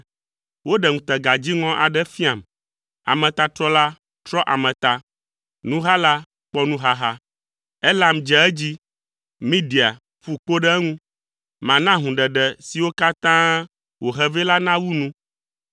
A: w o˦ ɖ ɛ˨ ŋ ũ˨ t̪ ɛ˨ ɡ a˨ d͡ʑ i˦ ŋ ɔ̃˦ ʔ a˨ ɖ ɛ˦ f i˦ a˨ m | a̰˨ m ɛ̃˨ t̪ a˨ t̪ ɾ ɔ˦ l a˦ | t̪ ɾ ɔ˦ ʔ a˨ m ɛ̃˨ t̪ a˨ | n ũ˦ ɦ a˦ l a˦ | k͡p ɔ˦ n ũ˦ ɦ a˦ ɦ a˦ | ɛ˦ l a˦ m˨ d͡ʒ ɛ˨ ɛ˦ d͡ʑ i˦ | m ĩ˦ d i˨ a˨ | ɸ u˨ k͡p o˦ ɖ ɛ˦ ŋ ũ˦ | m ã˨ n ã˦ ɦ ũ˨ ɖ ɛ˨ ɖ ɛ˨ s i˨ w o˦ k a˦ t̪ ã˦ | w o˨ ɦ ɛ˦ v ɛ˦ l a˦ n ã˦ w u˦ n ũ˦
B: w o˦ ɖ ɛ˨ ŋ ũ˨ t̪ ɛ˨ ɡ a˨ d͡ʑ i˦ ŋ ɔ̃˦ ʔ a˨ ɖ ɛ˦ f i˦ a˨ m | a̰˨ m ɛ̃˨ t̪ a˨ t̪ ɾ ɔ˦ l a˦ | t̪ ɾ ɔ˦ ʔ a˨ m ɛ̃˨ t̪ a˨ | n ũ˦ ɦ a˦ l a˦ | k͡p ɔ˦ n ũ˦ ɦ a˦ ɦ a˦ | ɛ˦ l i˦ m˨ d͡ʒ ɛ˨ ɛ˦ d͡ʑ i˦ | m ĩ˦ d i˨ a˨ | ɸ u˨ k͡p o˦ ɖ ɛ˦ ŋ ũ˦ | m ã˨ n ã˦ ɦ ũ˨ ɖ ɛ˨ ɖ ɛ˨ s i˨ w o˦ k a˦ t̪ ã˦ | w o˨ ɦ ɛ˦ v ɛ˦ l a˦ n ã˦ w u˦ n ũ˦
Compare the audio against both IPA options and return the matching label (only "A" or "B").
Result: A